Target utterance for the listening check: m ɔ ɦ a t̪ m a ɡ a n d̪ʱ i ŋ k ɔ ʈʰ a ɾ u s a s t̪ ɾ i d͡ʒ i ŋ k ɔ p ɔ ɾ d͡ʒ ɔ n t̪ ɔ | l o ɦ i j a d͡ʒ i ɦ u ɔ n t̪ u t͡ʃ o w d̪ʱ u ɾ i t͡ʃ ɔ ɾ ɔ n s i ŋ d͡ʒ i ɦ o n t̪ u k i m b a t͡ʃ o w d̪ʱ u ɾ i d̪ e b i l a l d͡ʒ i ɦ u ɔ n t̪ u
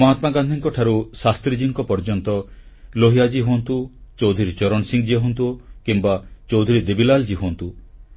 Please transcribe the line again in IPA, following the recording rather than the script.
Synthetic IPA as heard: m ɔ ɦ a t̪ m a ɡ a n d̪ʱ i ŋ k ɔ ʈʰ a ɾ u s a s t̪ ɾ i d͡ʒ i ŋ k ɔ p ɔ ɾ d͡ʒ ɔ n t̪ ɔ | l o ɦ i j a d͡ʒ i ɦ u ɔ n t̪ u t͡ʃ o w d̪ʱ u ɾ i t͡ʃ ɔ ɾ ɔ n s i ŋ d͡ʒ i ɦ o n t̪ u k i m b a t͡ʃ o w d̪ʱ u ɾ i d̪ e b i l a l d͡ʒ i ɦ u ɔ n t̪ u